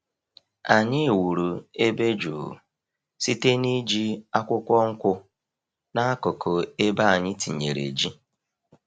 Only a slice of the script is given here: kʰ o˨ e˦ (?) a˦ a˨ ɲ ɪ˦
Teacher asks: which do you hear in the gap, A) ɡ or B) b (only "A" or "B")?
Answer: B